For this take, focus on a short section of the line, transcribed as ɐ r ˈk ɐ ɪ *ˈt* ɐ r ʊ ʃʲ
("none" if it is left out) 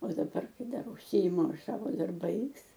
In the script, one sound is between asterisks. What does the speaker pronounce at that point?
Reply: d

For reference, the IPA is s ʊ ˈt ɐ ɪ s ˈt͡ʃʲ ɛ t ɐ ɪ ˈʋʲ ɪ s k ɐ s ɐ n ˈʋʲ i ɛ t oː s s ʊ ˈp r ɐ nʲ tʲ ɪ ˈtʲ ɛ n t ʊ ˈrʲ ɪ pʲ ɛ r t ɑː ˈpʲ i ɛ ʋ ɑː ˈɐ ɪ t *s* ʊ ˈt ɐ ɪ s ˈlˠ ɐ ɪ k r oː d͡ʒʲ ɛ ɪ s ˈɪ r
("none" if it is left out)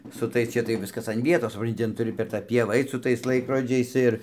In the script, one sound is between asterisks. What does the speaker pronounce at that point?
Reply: s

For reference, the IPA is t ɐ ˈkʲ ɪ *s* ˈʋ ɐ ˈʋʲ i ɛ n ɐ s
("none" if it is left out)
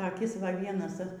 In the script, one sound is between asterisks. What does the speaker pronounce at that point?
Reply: s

